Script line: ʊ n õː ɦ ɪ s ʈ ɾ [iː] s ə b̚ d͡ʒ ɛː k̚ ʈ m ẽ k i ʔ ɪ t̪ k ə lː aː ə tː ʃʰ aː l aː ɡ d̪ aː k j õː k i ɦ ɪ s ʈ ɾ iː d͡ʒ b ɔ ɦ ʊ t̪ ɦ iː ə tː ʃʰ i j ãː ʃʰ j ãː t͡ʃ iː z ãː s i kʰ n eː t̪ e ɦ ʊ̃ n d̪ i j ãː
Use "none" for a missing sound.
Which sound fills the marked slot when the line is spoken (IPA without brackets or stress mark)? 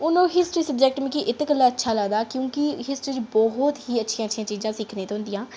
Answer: iː